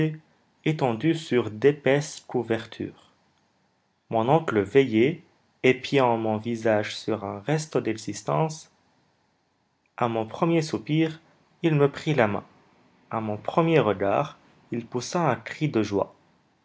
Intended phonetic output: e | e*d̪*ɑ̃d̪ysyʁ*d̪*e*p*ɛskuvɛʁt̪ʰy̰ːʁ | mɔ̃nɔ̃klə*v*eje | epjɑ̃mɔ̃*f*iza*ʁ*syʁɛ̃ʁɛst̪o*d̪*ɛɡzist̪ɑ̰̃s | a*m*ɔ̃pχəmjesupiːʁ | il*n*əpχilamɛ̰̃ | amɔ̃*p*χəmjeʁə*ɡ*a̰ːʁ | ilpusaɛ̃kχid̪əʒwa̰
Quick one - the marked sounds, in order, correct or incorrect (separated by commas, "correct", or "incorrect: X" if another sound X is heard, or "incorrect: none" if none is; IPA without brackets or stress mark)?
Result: incorrect: t̪, correct, correct, correct, incorrect: v, incorrect: ʒ, correct, correct, incorrect: m, correct, correct